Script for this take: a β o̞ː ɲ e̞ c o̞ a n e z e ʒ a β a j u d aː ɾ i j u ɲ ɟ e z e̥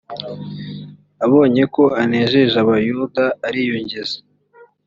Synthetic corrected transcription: a β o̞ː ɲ e̞ k o̞ a n e ʒ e ʒ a β a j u d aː ɾ i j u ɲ ɟ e z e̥